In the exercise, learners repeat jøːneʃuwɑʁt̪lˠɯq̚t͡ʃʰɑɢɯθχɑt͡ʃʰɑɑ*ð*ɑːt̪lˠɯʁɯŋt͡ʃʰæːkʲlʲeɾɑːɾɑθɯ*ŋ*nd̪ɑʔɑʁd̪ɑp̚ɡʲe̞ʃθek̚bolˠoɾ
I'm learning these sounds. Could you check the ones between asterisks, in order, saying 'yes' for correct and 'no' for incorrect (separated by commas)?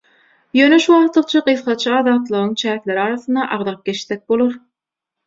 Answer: yes, no